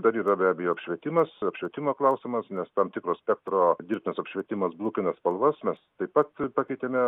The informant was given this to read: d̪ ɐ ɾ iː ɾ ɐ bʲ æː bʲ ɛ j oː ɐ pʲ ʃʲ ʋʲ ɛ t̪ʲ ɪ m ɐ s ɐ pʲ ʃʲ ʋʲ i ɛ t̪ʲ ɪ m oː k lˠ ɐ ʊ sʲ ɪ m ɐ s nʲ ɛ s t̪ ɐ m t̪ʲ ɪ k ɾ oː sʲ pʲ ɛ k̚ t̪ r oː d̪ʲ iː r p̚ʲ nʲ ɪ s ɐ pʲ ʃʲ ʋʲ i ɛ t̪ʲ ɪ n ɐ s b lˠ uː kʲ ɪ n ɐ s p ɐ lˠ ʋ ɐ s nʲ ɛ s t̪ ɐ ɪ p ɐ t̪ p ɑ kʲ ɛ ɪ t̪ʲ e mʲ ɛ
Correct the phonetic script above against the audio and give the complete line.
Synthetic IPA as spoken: d̪ ɐ ɾ iː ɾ ɐ bʲ æː bʲ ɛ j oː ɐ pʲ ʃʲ ʋʲ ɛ t̪ʲ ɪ m ɐ s ɐ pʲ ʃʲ ʋʲ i ɛ t̪ʲ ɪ m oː k lˠ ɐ ʊ sʲ ɪ m ɐ s nʲ ɛ s t̪ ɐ m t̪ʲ ɪ k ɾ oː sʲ pʲ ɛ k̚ t̪ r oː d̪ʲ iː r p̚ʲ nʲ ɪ s ɐ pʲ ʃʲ ʋʲ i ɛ t̪ʲ ɪ m ɐ s b lˠ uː kʲ ɪ n ɐ s p ɐ lˠ ʋ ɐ s mʲ ɛ s t̪ ɐ ɪ p ɐ t̪ p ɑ kʲ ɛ ɪ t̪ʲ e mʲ ɛ